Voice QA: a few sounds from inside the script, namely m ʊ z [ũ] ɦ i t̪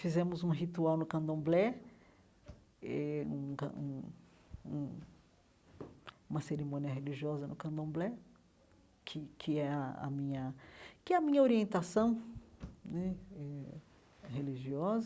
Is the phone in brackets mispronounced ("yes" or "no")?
no